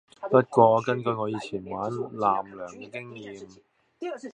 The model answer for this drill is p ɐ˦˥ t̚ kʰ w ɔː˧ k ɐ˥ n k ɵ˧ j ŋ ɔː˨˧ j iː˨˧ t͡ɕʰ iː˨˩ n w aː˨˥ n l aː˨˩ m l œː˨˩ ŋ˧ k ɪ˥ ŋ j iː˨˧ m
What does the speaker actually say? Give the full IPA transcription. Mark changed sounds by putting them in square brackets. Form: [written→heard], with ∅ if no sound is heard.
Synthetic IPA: p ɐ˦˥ t̚ [kʰ→k] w ɔː˧ k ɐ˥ n k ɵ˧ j ŋ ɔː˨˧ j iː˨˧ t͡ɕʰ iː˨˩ n w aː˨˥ n l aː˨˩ m l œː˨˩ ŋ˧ k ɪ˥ ŋ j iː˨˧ m